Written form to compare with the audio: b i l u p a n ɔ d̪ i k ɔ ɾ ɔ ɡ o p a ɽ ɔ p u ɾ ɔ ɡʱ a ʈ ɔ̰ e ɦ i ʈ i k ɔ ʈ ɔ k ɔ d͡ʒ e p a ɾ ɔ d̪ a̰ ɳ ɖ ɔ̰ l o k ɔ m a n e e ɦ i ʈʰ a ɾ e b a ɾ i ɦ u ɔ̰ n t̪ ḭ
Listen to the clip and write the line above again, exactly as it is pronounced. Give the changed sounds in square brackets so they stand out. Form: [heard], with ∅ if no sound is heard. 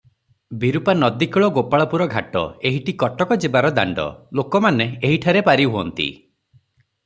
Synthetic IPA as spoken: b i [ɾ] u p a n ɔ d̪ i k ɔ [ɭ] ɔ ɡ o p a [ɭ] ɔ p u ɾ ɔ ɡʱ a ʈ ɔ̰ e ɦ i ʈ i k ɔ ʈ ɔ k ɔ d͡ʒ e [b] a ɾ ɔ d̪ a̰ ɳ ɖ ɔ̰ l o k ɔ m a n e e ɦ i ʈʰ a ɾ e [p] a ɾ i ɦ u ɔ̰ n t̪ ḭ

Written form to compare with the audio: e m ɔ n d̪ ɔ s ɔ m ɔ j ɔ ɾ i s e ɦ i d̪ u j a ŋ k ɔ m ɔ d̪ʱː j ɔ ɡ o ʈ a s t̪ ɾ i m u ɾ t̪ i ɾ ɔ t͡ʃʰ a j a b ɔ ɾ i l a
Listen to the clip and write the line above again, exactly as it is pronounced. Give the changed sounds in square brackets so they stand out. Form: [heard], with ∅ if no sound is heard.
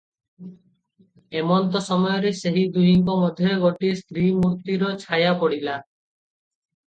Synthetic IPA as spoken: e m ɔ n [t̪] ɔ s ɔ m ɔ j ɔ ɾ [e] s e ɦ i d̪ u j [i] ŋ k ɔ m ɔ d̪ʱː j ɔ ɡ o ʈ [i] s t̪ ɾ i m u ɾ t̪ i ɾ ɔ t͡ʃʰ a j a [p] ɔ [ɽ] i l a

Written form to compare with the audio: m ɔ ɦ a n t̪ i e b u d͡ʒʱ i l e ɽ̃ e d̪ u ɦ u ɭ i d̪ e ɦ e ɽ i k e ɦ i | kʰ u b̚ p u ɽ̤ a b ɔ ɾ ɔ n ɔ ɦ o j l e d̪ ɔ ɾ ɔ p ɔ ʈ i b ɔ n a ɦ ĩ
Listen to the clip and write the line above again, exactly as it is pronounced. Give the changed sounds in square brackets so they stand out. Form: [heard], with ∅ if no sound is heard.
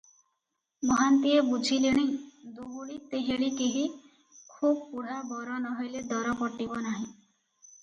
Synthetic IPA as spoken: m ɔ ɦ a n t̪ i e b u d͡ʒʱ i l e ɽ̃ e d̪ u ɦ u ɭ i [t̪] e ɦ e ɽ i k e ɦ i | kʰ u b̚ p u ɽ̤ a b ɔ ɾ ɔ n ɔ ɦ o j l e d̪ ɔ ɾ ɔ p ɔ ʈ i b ɔ n a ɦ ĩ

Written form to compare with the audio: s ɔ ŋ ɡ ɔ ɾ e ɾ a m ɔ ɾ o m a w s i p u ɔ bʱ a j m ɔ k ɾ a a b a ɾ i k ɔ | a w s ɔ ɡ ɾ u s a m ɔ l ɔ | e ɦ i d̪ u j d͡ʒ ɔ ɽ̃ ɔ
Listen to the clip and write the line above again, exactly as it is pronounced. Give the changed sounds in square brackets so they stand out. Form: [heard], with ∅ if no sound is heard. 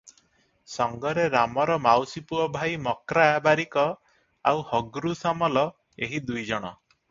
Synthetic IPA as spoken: s ɔ ŋ ɡ ɔ ɾ e ɾ a m ɔ ɾ [ɔ] m a w s i p u ɔ bʱ a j m ɔ k ɾ a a b a ɾ i k ɔ | a w [h] ɔ ɡ ɾ u s a m ɔ l ɔ | e ɦ i d̪ u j d͡ʒ ɔ ɽ̃ ɔ

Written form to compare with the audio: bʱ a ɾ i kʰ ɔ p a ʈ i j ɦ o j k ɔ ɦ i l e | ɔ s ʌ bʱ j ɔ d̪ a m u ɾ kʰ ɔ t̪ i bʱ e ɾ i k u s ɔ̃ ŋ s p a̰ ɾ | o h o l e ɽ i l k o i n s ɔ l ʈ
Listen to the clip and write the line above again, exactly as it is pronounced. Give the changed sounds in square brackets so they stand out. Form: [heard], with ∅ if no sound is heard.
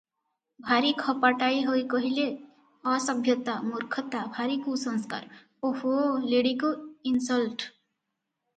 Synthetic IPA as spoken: bʱ a ɾ i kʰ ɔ p a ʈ [a] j ɦ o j k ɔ ɦ i l e | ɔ s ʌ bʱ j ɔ [t̪] a m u ɾ kʰ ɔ t̪ [a] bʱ [a] ɾ i k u s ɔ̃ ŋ s [k] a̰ ɾ | o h o l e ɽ i [∅] k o i n s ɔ l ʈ

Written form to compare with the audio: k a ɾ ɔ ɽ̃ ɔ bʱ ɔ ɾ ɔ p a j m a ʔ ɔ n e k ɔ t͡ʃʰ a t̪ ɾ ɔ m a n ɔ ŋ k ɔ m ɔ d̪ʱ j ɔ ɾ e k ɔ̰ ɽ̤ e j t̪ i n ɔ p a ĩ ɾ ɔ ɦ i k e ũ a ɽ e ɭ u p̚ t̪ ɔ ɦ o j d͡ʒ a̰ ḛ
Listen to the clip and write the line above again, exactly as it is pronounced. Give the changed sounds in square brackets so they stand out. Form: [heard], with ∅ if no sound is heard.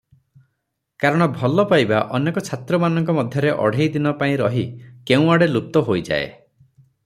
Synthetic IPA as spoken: k a ɾ ɔ ɽ̃ ɔ bʱ ɔ [l] ɔ p a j [b] a ʔ ɔ n e k ɔ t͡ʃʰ a t̪ ɾ ɔ m a n ɔ ŋ k ɔ m ɔ d̪ʱ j ɔ ɾ e [ʔ] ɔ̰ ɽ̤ e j [d̪] i n ɔ p a ĩ ɾ ɔ ɦ i k e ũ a ɽ e [l] u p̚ t̪ ɔ ɦ o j d͡ʒ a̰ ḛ

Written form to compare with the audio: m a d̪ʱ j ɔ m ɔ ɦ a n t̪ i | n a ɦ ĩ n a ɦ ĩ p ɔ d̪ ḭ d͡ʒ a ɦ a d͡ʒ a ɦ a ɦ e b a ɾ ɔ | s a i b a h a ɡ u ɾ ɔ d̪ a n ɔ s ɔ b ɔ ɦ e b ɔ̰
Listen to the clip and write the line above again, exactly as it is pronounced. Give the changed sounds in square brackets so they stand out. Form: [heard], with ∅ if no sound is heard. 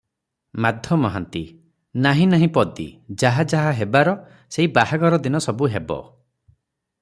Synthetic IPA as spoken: m a d̪ʱ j ɔ m ɔ ɦ a n t̪ i | n a ɦ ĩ n a ɦ ĩ p ɔ d̪ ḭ d͡ʒ a ɦ a d͡ʒ a ɦ a ɦ e b a ɾ ɔ | s [e] i b a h a ɡ [ɔ] ɾ ɔ d̪ [i] n ɔ s ɔ b [u] ɦ e b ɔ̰

